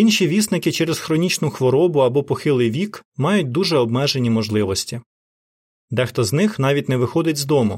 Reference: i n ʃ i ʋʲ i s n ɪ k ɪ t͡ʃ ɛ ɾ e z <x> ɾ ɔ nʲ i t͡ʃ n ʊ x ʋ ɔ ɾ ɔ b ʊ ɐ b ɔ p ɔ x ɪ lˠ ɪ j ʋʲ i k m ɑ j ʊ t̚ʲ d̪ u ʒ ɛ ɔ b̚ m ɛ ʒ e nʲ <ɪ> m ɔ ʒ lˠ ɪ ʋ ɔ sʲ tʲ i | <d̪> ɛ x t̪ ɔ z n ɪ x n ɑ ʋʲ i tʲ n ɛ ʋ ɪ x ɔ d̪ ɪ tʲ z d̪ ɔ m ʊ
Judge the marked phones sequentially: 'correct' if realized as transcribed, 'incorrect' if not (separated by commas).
correct, incorrect, correct